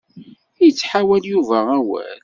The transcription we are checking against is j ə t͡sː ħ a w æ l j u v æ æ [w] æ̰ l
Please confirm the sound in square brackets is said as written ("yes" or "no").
yes